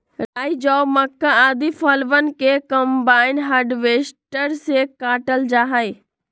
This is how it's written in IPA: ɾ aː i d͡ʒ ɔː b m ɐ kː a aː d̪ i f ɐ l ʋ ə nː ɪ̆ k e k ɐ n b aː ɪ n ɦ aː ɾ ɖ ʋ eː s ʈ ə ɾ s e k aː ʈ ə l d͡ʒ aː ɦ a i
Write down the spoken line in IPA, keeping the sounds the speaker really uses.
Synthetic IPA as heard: ɾ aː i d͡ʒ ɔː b m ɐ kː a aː d̪ i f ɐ l ʋ ə n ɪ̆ k e k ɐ m b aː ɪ n ɦ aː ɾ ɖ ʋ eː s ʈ ə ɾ s e k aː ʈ ə l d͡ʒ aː ɦ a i